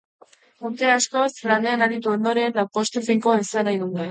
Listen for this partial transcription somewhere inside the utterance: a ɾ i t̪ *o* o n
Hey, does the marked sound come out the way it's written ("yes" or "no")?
no